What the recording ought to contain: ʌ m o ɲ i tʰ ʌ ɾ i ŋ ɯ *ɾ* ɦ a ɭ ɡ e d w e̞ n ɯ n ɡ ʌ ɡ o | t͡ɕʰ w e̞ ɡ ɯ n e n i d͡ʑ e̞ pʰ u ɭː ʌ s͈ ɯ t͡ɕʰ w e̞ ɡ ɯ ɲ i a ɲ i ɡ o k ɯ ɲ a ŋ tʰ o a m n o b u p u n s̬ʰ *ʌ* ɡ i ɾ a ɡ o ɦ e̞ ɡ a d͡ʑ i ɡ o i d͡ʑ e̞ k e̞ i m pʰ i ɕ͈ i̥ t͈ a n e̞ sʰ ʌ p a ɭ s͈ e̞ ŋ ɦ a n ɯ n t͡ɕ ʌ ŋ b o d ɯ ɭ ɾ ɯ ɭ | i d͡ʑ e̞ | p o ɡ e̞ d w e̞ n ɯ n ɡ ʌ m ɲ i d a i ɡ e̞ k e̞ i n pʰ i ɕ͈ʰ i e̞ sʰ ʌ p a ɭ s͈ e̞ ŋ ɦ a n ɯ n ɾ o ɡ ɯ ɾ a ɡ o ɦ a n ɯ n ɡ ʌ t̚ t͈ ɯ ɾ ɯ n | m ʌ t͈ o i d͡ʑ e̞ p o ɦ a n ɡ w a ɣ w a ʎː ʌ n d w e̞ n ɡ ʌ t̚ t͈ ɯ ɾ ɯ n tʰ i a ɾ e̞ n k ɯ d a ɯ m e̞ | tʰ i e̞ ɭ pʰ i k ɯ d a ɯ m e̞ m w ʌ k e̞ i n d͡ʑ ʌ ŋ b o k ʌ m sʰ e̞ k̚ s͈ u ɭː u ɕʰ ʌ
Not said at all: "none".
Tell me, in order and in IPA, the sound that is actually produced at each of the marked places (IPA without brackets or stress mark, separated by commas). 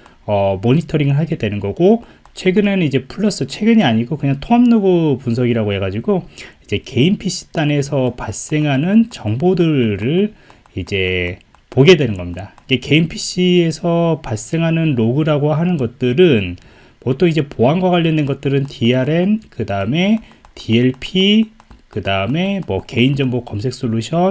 ɭ, ʌ